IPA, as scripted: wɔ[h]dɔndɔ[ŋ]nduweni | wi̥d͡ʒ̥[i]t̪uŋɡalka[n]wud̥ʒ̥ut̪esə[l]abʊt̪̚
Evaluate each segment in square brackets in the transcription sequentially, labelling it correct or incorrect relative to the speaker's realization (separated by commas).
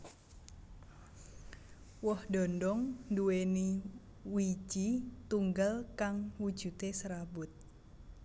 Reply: correct, correct, correct, incorrect, incorrect